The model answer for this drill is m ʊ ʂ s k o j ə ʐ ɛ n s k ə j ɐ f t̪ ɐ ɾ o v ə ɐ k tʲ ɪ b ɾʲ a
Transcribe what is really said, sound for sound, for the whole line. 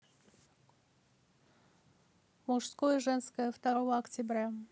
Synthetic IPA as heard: m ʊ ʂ s k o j ə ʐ ɛ n s k ə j ə f t̪ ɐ ɾ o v ə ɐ k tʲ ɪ b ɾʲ a